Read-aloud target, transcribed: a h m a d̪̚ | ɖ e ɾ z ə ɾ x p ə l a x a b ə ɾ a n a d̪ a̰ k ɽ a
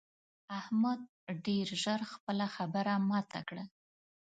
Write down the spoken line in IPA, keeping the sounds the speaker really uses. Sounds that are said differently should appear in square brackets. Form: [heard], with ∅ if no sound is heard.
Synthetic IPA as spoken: a h m a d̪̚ | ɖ e ɾ [ʒ] ə ɾ x p ə l a x a b ə ɾ a [m] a [t̪] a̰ k ɽ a